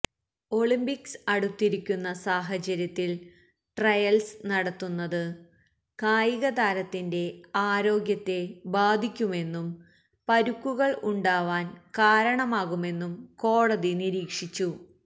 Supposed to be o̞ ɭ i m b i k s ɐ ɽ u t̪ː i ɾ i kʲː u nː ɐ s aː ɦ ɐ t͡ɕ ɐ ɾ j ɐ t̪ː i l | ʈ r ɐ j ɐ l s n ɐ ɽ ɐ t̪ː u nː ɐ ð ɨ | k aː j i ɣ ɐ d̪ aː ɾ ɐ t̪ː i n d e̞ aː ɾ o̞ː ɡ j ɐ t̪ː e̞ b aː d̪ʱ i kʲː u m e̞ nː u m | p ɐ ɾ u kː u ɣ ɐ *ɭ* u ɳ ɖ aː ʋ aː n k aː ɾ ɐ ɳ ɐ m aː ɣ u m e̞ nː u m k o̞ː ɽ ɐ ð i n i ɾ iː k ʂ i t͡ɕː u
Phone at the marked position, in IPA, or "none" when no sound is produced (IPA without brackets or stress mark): ɭ